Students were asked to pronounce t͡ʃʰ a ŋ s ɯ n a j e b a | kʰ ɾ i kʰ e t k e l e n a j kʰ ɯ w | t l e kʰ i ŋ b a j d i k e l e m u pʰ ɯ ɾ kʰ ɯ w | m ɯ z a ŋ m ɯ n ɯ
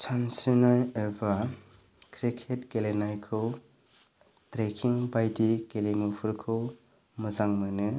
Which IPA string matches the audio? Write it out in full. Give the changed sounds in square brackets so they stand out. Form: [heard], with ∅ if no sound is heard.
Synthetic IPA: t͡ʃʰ a [n] s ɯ n a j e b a | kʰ ɾ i kʰ e t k e l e n a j kʰ ɯ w | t [ɾ] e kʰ i ŋ b a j d i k e l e m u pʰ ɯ ɾ kʰ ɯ w | m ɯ z a ŋ m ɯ n ɯ